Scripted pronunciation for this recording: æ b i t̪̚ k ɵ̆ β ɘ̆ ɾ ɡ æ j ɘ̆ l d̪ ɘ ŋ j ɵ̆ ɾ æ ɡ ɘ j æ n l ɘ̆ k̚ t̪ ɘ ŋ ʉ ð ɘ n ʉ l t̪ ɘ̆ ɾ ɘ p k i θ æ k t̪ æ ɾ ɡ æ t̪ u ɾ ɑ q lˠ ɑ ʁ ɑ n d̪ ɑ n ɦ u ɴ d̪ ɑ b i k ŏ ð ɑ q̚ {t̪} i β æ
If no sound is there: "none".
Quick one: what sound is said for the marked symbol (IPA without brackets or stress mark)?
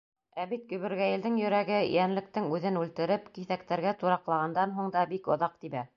t̪